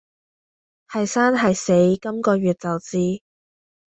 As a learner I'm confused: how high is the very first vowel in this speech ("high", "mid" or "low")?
low